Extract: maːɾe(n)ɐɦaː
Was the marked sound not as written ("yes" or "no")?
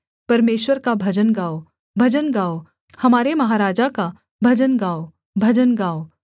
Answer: yes